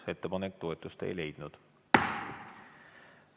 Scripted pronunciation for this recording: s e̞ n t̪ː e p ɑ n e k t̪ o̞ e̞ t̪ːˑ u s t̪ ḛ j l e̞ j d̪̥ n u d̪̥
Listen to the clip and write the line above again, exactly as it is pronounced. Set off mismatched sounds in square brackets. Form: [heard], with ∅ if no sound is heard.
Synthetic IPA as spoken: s e̞ [∅] t̪ː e p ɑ n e k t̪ o̞ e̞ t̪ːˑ u s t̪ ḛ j l e̞ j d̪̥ n u d̪̥